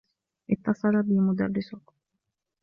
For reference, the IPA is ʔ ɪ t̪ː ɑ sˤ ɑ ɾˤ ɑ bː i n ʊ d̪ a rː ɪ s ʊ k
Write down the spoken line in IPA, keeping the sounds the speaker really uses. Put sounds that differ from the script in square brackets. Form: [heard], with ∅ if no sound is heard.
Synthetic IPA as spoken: ʔ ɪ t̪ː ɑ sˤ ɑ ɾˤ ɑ [b] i [m] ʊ d̪ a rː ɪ s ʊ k